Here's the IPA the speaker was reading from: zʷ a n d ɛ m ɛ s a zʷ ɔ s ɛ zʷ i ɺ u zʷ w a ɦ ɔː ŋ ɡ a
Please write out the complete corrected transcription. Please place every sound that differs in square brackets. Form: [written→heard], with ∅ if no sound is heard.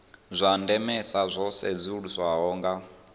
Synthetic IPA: zʷ a n d ɛ m ɛ s a zʷ ɔ s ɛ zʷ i ɺ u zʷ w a ɦ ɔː ŋ ɡ a